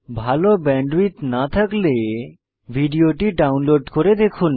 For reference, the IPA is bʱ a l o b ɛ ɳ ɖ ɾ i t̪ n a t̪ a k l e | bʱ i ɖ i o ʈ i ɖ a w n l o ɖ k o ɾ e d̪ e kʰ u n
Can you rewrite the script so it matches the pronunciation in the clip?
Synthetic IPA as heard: bʱ a l o b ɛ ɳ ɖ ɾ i t̪ n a t̪ʰ a k l e | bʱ i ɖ i o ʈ i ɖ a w n l o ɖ k o ɾ e d̪ e kʰ u n